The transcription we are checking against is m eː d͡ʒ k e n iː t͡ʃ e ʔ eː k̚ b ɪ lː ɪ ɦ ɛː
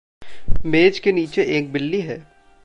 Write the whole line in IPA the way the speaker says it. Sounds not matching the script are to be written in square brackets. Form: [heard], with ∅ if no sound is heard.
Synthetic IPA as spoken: m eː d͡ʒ k e n iː t͡ʃ e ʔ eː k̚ b ɪ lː [i] ɦ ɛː